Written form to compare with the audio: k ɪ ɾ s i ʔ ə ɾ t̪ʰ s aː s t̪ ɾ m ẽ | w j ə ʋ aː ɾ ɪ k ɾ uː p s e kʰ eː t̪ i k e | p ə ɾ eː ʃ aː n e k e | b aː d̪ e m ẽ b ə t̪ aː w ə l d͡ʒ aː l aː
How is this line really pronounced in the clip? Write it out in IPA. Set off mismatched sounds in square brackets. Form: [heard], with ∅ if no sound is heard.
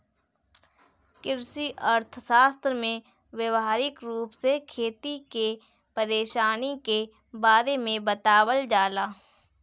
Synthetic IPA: k ɪ ɾ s i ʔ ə ɾ t̪ʰ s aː s t̪ ɾ m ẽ | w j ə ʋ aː ɾ ɪ k ɾ uː p s e kʰ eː t̪ i k e | p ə ɾ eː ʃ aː n [i] k e | b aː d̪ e m ẽ b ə t̪ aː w ə l d͡ʒ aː l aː